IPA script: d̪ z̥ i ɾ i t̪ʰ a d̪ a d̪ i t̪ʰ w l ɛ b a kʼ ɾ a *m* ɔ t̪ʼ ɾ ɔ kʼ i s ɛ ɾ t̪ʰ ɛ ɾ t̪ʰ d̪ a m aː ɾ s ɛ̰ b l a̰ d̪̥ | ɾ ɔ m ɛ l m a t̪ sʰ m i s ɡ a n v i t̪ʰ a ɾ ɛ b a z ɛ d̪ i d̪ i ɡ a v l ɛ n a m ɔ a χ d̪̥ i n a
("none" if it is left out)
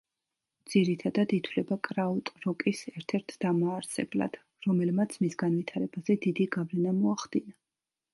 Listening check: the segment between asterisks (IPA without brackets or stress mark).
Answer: none